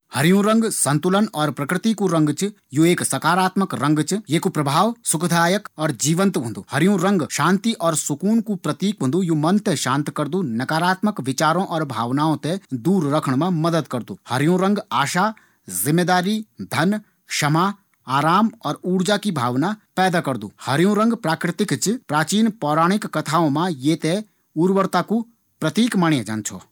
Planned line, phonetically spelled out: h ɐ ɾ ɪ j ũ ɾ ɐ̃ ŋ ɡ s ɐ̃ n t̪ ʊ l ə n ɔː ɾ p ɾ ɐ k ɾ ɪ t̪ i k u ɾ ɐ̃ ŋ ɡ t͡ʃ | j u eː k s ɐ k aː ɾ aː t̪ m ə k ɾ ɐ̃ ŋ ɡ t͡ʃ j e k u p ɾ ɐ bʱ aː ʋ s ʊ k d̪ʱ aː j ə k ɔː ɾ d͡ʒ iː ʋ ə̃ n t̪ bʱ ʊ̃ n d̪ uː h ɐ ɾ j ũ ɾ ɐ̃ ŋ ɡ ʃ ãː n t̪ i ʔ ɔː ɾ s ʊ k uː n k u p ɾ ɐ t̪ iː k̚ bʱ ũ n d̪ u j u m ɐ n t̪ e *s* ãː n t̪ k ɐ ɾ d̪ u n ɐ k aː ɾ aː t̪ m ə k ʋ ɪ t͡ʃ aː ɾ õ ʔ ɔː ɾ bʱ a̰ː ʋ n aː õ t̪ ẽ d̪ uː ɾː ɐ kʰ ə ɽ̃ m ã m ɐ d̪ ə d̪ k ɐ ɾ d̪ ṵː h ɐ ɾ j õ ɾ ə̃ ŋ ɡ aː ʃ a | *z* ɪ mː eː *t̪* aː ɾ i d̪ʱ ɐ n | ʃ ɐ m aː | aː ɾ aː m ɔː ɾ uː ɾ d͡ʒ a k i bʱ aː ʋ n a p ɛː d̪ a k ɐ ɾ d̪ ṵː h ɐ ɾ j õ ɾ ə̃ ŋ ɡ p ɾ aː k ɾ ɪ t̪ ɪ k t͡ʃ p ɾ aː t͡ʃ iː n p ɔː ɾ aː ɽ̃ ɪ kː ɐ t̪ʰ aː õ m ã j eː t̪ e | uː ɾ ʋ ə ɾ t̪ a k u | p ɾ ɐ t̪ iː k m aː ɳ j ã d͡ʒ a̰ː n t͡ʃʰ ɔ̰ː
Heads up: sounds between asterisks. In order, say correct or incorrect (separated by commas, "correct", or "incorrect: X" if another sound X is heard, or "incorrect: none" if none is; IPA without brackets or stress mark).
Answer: incorrect: ʃ, correct, incorrect: d̪